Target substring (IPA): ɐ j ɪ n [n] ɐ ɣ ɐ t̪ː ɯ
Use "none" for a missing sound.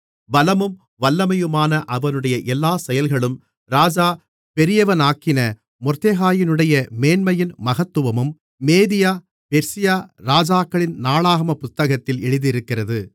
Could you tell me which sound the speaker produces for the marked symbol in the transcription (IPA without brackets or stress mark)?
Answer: m